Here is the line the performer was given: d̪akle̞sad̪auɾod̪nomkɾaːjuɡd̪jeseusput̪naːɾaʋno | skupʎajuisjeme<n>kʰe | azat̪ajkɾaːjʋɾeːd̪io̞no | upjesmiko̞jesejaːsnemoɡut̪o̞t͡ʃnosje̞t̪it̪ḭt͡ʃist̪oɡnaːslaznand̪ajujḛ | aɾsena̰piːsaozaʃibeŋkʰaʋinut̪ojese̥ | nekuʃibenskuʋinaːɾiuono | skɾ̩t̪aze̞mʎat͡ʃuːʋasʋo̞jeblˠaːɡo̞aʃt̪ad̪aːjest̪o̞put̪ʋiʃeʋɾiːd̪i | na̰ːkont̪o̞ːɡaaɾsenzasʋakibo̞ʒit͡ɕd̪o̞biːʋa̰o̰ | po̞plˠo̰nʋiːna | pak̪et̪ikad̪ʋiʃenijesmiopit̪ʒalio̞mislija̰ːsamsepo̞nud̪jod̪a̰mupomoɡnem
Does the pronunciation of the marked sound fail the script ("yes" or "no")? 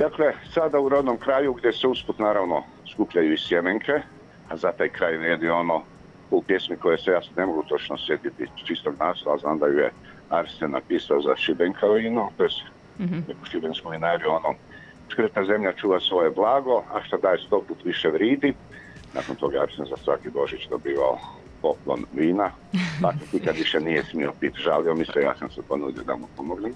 yes